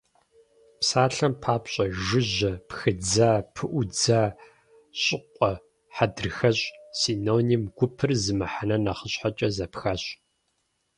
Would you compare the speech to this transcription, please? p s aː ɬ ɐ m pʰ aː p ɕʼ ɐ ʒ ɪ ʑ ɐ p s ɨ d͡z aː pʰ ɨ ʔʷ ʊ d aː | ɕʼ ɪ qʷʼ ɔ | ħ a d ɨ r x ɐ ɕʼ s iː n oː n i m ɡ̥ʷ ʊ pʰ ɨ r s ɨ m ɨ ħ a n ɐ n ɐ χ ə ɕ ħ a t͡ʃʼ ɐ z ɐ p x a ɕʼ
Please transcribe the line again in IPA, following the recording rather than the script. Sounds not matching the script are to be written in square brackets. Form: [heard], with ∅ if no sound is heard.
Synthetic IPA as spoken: p s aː ɬ ɐ m pʰ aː p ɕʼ ɐ ʒ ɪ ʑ ɐ p [x] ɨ d͡z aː pʰ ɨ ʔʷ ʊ [d͡z] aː | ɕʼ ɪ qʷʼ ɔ | ħ a d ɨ r x ɐ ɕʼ s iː n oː n i m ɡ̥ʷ ʊ pʰ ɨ r [z] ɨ m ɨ ħ a n ɐ n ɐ χ ə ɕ ħ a t͡ʃʼ ɐ z ɐ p x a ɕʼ